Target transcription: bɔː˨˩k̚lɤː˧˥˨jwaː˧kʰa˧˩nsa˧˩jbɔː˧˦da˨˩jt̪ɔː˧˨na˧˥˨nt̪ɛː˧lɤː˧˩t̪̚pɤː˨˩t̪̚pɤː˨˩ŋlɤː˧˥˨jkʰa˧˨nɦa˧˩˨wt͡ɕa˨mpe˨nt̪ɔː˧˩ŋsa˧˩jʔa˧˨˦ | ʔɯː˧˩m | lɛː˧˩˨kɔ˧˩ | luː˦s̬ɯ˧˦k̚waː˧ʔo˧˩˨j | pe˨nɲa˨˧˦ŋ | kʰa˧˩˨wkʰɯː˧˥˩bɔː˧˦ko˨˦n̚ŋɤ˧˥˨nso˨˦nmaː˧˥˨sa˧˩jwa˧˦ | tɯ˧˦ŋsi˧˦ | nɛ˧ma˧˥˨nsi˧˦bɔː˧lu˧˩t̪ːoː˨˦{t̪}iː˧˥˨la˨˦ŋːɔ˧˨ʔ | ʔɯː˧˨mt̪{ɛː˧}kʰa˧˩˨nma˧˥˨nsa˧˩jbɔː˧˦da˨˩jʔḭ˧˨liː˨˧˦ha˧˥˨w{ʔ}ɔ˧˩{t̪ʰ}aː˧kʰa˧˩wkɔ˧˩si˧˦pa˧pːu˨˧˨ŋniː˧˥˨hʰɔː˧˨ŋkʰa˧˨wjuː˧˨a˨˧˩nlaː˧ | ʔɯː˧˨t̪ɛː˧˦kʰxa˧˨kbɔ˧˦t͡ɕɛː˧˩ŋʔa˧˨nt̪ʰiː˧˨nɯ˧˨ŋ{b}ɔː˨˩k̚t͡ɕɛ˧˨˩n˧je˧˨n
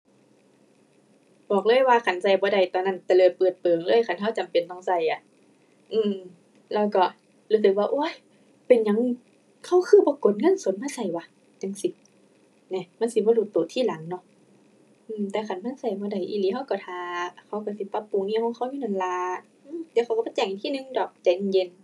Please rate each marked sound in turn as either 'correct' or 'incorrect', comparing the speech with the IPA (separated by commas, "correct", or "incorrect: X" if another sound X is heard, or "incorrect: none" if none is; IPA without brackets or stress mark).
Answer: incorrect: t̪ʰ, correct, incorrect: k, correct, incorrect: d